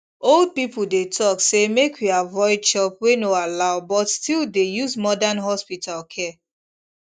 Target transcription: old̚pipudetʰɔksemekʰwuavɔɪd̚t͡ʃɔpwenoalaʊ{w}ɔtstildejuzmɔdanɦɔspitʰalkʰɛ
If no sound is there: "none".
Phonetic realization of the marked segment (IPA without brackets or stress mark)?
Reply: b